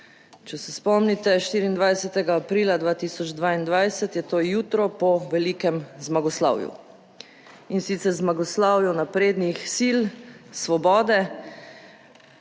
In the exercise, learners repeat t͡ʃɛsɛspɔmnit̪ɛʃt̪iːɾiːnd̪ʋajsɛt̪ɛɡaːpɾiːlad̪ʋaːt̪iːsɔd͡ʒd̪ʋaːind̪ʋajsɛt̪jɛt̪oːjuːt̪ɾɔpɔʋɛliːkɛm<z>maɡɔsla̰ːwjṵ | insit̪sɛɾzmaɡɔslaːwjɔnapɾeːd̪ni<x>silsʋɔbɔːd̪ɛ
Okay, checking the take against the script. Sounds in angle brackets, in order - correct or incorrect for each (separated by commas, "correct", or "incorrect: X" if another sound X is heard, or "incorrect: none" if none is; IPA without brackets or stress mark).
correct, correct